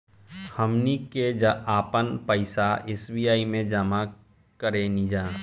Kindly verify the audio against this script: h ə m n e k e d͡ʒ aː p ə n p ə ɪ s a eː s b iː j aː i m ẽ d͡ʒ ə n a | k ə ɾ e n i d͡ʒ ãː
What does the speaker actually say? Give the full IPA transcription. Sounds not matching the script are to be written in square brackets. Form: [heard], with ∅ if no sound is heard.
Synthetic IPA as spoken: h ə m n [i] k e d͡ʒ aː p ə n p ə ɪ s a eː s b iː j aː i m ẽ d͡ʒ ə [m] a | k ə ɾ e n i d͡ʒ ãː